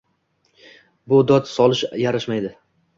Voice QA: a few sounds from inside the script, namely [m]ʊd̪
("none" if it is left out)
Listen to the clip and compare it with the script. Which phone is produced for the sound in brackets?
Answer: b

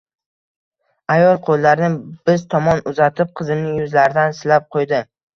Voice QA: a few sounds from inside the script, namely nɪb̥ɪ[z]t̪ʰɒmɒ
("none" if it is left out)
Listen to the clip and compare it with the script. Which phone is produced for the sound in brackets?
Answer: z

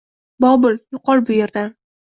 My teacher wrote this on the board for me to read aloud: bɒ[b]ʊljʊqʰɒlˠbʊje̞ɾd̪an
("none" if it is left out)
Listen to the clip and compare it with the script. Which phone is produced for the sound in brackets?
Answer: b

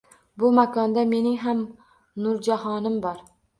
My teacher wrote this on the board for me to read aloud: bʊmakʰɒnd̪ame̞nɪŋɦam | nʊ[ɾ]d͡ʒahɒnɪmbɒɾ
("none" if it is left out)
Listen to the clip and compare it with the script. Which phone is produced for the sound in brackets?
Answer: ɾ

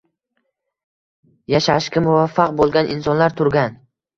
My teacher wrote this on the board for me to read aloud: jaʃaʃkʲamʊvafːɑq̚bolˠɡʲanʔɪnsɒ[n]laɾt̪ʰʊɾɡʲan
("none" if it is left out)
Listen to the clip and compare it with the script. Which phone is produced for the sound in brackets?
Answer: n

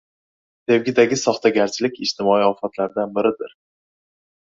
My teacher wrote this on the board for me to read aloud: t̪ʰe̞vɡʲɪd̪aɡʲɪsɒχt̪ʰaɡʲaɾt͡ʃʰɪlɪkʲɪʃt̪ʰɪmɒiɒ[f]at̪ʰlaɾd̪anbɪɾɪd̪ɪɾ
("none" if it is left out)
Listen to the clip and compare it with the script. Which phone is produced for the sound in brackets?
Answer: f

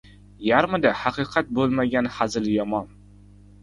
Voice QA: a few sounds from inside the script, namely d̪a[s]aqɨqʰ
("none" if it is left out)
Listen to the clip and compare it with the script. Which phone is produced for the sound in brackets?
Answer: h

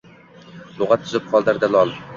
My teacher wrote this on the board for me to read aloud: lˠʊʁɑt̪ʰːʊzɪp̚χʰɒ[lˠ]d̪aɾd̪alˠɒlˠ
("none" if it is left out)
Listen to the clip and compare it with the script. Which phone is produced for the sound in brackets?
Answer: lˠ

